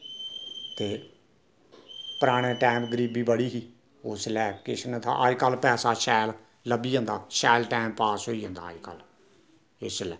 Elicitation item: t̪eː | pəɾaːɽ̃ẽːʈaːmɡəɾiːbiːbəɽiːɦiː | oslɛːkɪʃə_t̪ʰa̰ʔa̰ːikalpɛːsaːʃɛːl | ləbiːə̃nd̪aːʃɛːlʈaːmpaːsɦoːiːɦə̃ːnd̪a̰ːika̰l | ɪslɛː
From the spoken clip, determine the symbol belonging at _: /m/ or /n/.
n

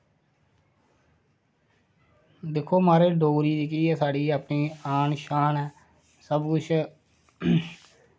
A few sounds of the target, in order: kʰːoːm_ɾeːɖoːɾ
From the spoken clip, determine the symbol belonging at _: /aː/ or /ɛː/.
aː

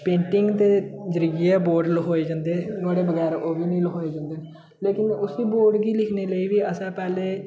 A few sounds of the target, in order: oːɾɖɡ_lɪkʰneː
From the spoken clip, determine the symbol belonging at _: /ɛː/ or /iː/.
iː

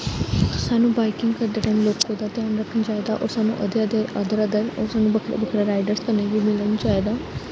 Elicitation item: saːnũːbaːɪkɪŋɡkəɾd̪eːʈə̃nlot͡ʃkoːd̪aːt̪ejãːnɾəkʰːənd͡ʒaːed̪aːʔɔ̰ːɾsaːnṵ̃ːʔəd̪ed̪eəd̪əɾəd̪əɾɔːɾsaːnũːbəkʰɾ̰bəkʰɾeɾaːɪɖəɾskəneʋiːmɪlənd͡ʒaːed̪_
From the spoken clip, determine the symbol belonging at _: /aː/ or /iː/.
aː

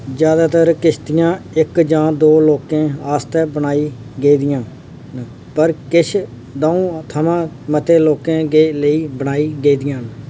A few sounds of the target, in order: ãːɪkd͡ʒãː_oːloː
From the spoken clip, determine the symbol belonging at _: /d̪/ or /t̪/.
d̪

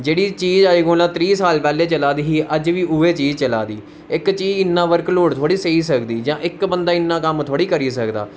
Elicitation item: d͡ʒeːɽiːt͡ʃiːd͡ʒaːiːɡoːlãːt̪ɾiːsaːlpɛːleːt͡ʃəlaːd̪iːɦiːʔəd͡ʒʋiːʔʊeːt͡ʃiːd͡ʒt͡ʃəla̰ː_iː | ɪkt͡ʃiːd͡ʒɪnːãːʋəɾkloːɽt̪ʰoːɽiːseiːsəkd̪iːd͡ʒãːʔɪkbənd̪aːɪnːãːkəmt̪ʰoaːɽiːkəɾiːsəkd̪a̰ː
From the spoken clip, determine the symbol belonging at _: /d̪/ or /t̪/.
d̪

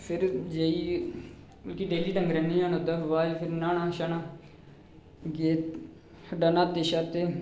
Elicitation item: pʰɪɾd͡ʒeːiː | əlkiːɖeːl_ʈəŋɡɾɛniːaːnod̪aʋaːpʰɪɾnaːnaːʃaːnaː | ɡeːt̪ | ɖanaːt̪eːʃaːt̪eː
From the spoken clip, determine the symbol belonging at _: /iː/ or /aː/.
iː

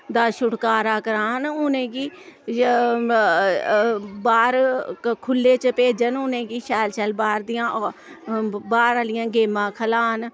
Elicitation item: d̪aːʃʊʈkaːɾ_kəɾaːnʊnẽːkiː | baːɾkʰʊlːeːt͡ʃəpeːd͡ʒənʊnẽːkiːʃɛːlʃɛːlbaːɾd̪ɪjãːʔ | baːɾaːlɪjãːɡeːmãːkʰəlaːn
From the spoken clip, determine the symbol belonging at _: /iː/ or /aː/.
aː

